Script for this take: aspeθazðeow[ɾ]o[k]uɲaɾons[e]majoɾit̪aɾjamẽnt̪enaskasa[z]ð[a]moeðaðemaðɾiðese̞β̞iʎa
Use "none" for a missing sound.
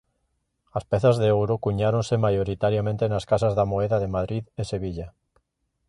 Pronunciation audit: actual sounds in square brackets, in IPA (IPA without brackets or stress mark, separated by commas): ɾ, k, e, z, a